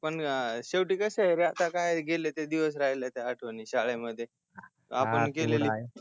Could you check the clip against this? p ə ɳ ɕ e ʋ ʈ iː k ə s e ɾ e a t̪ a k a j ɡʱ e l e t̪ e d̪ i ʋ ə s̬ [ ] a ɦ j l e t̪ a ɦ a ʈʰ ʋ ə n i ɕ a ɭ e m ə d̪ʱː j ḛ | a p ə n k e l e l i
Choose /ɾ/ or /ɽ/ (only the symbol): ɾ